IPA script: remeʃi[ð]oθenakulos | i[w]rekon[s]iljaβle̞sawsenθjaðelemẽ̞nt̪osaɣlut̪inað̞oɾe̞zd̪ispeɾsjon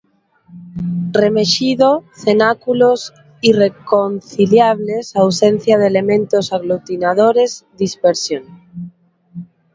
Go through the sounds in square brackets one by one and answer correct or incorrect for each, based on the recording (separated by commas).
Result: correct, incorrect, incorrect